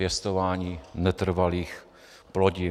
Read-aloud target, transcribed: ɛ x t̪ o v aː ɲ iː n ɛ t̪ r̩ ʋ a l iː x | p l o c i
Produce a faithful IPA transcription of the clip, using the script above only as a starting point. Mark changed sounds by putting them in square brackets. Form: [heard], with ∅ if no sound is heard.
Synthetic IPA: ɛ [s] t̪ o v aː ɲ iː n ɛ t̪ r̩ [v] a l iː x | p l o [ɟ] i

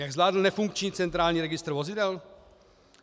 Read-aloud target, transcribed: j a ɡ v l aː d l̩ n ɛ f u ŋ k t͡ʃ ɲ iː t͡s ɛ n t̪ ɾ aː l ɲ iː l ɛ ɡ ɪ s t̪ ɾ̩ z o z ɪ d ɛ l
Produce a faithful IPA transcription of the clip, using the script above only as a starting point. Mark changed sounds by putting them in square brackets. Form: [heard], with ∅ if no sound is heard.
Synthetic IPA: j a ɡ [z] l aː d l̩ n ɛ f u ŋ k t͡ʃ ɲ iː t͡s ɛ n t̪ ɾ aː l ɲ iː [ɾ] ɛ ɡ ɪ s t̪ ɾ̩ [v] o z ɪ d ɛ l

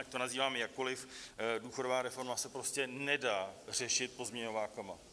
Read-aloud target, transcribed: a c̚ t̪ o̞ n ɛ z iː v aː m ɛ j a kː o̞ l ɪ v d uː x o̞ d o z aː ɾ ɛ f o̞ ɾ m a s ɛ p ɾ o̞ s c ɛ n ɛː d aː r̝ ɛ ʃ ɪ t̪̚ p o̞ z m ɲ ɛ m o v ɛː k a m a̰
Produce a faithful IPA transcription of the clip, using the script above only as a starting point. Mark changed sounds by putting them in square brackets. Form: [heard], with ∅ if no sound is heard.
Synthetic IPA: a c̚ t̪ o̞ n [a] z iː v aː m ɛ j a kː o̞ l ɪ [f] d uː x o̞ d o [v] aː ɾ ɛ f o̞ ɾ m a s ɛ p ɾ o̞ s c ɛ n [ɛ] d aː r̝ ɛ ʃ ɪ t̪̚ p o̞ z m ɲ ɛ [ɲ] o v [aː] k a m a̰

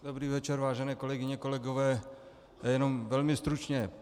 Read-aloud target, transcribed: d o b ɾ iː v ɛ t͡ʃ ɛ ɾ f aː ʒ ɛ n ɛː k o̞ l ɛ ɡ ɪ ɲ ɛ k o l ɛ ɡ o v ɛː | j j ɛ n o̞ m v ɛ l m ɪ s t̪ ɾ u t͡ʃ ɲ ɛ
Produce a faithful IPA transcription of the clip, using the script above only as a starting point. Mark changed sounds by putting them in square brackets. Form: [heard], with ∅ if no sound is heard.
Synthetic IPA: d o b ɾ iː v ɛ t͡ʃ ɛ ɾ [v] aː ʒ ɛ n ɛː k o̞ l ɛ ɡ ɪ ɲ ɛ k o l ɛ ɡ o v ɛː | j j ɛ n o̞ m v ɛ l m ɪ s t̪ ɾ u t͡ʃ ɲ ɛ

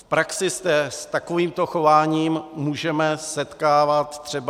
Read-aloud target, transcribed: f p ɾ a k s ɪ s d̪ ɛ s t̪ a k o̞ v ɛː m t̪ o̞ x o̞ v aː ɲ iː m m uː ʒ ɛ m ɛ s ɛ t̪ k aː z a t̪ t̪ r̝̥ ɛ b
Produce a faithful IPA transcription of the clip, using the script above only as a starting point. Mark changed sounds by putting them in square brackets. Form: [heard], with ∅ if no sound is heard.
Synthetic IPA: f p ɾ a k s ɪ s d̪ ɛ s t̪ a k o̞ v [iː] m t̪ o̞ x o̞ v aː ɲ iː m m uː ʒ ɛ m ɛ s ɛ t̪ k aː [v] a t̪ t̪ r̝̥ ɛ b

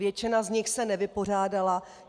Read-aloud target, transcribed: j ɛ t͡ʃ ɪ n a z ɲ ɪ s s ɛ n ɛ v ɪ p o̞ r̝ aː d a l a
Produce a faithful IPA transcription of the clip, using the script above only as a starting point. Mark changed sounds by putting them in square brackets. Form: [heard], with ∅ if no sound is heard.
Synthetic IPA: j ɛ t͡ʃ ɪ n a z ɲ ɪ [x] s ɛ n ɛ v ɪ p o̞ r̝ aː d a l a

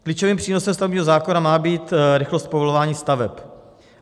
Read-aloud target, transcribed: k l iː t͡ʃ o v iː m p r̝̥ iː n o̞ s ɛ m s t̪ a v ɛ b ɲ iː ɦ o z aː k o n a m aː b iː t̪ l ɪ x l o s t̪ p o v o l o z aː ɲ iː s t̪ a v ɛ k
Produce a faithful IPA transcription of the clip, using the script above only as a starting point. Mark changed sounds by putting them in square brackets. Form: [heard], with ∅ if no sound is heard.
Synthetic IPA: k l iː t͡ʃ o v iː m p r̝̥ iː n o̞ s ɛ m s t̪ a v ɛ b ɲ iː ɦ o z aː k o n a m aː b iː t̪ [ɾ] ɪ x l o s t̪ p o v o l o [v] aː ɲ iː s t̪ a v ɛ [p]

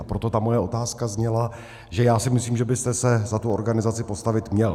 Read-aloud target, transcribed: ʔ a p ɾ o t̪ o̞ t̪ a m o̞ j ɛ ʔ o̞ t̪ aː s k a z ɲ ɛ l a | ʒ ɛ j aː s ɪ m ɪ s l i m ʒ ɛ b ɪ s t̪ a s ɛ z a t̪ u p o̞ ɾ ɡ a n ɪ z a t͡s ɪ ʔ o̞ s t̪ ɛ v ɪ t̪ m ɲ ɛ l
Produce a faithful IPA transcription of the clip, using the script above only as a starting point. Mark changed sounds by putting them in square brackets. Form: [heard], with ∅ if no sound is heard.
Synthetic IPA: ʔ a p ɾ o t̪ o̞ t̪ a m o̞ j ɛ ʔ o̞ t̪ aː s k a z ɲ ɛ l a | ʒ ɛ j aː s ɪ m ɪ s l [iː] m ʒ ɛ b ɪ s t̪ [ɛ] s ɛ z a t̪ u [∅] o̞ ɾ ɡ a n ɪ z a t͡s ɪ [p] o̞ s t̪ [a] v ɪ t̪ m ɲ ɛ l

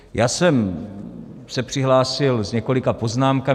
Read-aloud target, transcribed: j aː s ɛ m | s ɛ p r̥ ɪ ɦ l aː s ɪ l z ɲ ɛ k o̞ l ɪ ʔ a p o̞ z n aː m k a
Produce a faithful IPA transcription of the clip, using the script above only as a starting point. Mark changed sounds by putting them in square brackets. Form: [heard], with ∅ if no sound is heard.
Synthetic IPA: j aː s ɛ m | s ɛ p r̥ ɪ ɦ l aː s ɪ l z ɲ ɛ k o̞ l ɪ [k] a p o̞ z n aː m k a

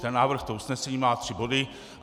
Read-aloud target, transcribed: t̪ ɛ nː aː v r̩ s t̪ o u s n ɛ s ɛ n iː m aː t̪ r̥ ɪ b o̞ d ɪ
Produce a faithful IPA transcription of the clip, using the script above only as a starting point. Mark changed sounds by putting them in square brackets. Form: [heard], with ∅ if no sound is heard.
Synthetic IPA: t̪ ɛ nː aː v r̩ [x] t̪ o u s n ɛ s ɛ [ɲ] iː m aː t̪ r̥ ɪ b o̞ d ɪ

